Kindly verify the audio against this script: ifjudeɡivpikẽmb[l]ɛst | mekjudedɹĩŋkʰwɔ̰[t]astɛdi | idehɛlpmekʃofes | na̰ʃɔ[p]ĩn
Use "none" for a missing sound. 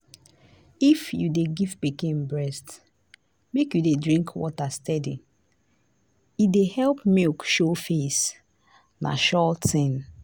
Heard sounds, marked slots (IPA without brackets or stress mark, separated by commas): ɹ, t, t